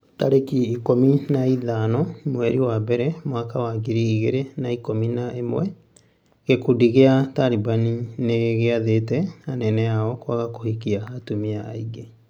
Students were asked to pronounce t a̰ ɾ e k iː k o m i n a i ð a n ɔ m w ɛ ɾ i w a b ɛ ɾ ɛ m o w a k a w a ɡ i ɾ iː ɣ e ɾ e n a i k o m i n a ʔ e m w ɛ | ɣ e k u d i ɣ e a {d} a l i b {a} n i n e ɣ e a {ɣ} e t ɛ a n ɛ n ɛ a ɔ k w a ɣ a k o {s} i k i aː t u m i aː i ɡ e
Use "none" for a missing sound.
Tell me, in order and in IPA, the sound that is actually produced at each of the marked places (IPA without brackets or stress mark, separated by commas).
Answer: t, a, ð, h